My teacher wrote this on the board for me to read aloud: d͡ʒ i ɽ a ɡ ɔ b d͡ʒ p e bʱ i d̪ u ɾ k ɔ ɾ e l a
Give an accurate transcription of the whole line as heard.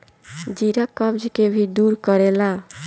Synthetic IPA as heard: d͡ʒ i ɾ a k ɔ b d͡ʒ k e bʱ i d̪ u ɾ k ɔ ɾ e l a